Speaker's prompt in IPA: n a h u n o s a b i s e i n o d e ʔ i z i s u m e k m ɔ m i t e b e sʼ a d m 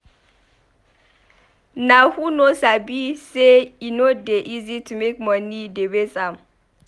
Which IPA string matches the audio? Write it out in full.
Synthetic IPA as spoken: n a h u n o s a b i s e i n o d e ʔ i z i t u m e k m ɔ n i d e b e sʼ a m